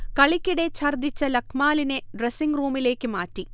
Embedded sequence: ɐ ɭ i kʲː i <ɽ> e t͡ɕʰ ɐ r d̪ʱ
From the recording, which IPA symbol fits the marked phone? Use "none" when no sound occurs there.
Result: ɽ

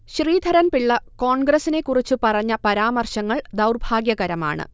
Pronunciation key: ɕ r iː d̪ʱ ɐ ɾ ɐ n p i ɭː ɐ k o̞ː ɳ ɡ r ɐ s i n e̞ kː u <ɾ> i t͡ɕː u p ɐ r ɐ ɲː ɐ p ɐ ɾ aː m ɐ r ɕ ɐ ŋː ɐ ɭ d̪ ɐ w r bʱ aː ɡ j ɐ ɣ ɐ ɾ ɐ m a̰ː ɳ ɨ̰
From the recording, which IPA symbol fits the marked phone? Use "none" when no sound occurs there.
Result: r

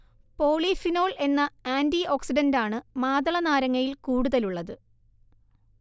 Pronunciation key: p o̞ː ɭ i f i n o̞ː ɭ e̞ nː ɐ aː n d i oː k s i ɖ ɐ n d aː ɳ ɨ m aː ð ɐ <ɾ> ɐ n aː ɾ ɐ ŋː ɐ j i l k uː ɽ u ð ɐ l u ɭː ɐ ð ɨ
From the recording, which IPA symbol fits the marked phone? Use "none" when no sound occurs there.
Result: ɭ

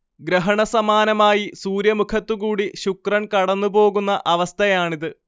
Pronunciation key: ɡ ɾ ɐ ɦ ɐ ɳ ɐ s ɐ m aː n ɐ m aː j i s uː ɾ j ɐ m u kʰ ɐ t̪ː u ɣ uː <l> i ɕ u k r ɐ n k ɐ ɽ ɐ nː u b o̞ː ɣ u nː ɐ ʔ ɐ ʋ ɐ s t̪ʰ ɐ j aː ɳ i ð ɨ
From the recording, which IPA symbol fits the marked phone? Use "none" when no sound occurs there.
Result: ɽ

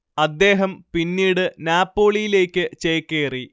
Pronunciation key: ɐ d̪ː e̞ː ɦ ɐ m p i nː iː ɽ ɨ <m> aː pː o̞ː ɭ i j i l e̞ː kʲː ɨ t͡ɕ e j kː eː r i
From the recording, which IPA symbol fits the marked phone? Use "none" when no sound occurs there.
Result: n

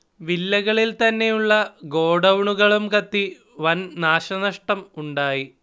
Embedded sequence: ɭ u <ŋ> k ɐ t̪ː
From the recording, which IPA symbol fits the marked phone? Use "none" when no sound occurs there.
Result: m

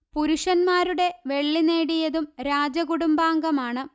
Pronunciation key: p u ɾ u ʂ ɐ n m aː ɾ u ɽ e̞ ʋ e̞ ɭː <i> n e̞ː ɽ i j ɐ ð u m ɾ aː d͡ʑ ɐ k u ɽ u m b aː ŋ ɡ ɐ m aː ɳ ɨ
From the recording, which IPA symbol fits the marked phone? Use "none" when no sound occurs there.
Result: i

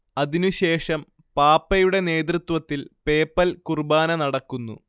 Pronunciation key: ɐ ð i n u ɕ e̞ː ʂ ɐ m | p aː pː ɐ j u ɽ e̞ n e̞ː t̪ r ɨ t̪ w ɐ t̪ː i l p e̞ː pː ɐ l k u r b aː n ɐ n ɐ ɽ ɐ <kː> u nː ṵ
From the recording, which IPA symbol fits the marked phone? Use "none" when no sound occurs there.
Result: kː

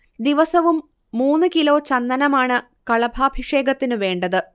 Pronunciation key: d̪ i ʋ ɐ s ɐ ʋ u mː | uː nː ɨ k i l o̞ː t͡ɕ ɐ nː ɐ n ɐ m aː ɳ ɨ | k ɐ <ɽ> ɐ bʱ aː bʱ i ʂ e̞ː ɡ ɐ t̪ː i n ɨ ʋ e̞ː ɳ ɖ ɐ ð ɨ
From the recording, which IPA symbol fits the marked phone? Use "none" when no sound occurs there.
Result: ɭ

